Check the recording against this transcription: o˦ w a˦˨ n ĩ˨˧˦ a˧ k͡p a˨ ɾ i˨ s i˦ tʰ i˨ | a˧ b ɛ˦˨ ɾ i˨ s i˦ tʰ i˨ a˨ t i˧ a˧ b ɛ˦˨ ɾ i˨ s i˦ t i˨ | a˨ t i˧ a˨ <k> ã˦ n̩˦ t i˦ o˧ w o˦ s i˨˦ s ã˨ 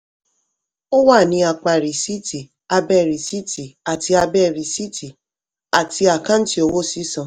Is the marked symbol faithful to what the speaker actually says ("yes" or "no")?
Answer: yes